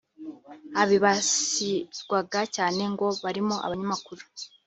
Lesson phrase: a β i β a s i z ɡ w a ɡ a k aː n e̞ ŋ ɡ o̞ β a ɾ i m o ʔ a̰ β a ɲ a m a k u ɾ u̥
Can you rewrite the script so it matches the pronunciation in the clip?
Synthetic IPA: a β i β a s i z ɡ w a ɡ a c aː n e̞ ŋ ɡ o̞ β a ɾ i m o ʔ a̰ β a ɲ a m a k u ɾ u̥